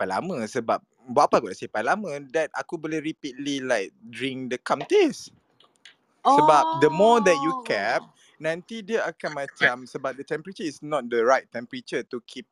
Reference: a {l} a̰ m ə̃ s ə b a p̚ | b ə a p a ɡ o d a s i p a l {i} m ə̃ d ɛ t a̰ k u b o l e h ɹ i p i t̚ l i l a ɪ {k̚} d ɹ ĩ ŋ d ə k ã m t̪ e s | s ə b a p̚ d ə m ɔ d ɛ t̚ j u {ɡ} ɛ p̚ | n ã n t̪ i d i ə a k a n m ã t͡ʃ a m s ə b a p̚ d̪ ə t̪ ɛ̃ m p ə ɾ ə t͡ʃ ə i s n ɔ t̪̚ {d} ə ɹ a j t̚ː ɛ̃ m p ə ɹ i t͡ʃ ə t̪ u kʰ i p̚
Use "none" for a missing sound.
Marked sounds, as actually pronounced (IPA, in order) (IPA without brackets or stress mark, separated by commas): l, a, k̚, k, d